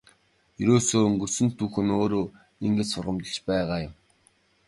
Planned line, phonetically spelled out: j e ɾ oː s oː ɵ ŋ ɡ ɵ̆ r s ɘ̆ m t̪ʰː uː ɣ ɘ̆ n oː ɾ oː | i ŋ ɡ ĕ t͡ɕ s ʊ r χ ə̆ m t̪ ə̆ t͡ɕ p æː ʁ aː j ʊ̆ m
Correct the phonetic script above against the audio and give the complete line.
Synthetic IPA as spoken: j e ɾ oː s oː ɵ ŋ ɡ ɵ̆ r s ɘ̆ n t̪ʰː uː x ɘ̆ n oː ɾ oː | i ŋ ɡ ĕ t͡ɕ s ʊ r ʁ ə̆ m t̪ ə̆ t͡ɕ p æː ʁ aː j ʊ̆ m